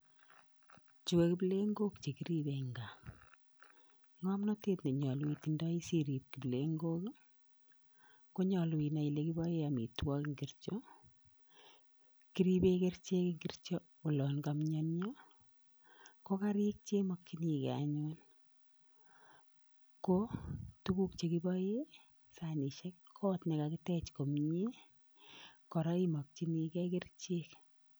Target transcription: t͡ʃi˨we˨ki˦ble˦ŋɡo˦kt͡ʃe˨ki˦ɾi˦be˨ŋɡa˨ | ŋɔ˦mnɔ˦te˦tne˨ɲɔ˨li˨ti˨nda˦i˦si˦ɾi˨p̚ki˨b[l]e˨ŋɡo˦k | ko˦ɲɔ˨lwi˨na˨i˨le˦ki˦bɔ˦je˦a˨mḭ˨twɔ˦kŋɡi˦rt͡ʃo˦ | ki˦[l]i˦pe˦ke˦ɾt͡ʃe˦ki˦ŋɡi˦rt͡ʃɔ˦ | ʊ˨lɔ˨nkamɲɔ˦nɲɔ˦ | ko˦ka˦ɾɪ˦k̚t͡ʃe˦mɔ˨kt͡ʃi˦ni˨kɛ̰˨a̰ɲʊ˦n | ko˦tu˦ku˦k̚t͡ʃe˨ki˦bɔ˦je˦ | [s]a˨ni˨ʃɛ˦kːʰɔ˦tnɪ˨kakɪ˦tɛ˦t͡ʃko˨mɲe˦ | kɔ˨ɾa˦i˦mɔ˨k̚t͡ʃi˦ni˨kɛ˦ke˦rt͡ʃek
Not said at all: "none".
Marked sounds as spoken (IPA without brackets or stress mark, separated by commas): l, ɾ, s